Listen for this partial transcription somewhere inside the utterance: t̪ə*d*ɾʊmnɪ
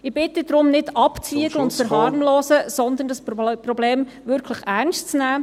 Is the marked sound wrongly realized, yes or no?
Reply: no